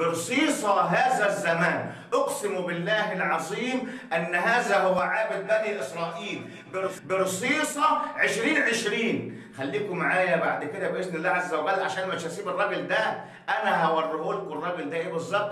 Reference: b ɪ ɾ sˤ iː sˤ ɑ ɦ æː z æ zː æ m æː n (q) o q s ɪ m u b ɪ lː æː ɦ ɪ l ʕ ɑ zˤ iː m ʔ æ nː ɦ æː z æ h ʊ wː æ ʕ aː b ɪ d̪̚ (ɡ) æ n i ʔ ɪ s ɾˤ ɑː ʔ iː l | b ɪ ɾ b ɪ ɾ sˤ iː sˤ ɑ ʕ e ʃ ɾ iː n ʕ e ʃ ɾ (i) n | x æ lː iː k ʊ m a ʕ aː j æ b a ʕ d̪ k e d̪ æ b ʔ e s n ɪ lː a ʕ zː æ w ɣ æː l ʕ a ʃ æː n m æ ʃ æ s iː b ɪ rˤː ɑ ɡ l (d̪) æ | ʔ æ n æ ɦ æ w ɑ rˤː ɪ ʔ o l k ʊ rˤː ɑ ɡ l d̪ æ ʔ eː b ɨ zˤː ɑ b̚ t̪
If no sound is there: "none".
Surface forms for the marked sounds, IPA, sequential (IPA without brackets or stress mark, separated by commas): ʔ, b, iː, d̪